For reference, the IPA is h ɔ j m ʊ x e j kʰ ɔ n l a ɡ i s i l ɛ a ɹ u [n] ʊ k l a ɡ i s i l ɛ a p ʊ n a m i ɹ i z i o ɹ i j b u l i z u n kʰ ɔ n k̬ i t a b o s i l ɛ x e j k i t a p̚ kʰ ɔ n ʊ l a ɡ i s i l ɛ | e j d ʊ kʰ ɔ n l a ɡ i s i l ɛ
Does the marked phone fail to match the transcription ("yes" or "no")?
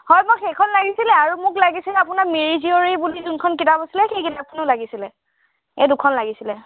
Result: yes